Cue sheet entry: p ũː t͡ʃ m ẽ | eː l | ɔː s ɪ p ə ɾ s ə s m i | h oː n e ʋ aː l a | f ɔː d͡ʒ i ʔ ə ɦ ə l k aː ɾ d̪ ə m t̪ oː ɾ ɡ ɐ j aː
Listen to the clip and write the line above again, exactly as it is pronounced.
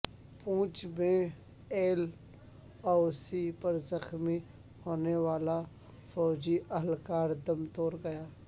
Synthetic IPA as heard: p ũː t͡ʃ m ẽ | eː l | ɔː s i p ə ɾ z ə x m i | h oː n e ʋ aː l a | f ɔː d͡ʒ i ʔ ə ɦ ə l k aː ɾ d̪ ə m t̪ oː ɾ ɡ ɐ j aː